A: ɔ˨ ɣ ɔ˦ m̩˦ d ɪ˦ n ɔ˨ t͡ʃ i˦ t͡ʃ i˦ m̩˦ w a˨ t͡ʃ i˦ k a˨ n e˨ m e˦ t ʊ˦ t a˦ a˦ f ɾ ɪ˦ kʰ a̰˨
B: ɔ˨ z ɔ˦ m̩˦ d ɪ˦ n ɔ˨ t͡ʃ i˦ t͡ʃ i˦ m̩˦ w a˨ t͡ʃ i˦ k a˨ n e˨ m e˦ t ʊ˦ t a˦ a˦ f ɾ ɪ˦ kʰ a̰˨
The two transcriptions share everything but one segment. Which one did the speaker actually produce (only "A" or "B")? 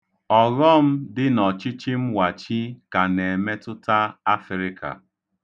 A